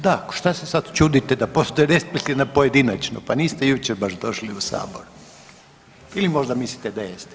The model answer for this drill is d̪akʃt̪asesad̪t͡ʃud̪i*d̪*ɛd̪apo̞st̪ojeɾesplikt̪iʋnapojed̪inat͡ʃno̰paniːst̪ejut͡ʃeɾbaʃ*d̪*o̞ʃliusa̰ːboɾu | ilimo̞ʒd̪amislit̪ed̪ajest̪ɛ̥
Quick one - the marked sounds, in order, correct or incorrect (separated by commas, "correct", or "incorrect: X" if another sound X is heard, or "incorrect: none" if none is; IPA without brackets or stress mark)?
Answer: incorrect: t̪, correct